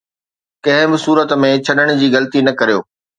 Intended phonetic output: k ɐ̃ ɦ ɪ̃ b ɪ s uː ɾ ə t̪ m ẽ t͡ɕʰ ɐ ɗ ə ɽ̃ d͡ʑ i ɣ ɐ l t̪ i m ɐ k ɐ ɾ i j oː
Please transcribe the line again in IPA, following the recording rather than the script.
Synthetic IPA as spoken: k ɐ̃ ɦ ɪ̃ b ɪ s uː ɾ ə t̪ m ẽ t͡ɕʰ ɐ ɗ ə ɽ̃ d͡ʑ iː ɣ ɐ l t̪ i n ɐ k ɐ ɾ i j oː